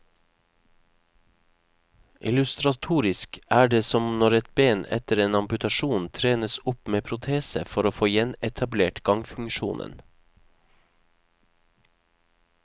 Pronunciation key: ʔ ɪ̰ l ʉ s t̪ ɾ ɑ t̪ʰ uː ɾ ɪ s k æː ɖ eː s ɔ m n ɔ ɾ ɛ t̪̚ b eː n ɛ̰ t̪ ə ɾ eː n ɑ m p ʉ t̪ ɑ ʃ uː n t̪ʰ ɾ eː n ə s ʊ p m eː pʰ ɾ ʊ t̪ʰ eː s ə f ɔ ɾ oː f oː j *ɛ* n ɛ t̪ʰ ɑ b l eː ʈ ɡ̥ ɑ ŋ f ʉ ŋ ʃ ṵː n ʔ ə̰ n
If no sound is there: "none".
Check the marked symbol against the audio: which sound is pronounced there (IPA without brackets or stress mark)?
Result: ɛ